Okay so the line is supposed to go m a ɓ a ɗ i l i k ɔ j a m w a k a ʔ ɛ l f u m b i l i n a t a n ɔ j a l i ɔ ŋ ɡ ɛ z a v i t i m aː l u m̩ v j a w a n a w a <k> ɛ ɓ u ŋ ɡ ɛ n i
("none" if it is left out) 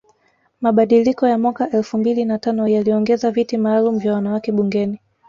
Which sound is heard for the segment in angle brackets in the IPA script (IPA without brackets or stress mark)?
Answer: k